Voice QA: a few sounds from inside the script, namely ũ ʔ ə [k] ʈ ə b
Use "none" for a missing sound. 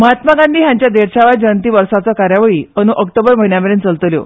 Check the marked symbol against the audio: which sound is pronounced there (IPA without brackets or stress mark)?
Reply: k